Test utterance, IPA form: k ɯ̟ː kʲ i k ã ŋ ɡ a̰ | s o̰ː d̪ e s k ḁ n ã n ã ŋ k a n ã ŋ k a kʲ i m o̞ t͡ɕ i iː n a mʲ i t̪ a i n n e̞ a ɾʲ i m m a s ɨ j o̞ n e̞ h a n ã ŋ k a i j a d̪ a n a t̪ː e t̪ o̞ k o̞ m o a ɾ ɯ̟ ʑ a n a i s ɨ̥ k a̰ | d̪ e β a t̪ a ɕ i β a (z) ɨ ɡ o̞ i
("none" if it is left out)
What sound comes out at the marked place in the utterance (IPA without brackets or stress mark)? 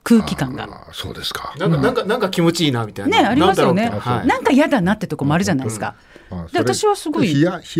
s